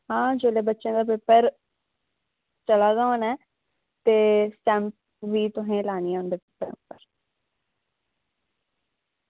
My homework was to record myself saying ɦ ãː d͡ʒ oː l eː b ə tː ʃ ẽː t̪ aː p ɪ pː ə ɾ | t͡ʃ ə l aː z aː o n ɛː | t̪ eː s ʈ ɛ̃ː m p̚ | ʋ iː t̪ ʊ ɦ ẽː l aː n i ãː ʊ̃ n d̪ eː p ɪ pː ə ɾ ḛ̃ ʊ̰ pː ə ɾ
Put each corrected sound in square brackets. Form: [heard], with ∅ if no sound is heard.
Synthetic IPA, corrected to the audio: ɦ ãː d͡ʒ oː l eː b ə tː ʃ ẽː [d̪] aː p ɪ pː ə ɾ | t͡ʃ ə l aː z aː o n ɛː | t̪ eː s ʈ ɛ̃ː m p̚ | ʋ iː t̪ ʊ ɦ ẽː l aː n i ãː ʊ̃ n d̪ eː p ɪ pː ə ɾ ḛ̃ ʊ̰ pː ə ɾ